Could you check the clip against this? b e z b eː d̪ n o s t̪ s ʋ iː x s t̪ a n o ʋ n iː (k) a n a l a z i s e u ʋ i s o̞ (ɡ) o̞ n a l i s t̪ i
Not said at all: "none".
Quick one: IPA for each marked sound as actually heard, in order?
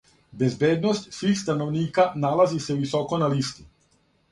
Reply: k, k

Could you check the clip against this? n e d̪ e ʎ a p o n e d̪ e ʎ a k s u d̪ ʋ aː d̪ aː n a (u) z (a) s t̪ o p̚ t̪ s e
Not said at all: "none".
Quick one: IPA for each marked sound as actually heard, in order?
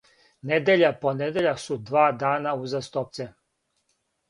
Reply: u, a

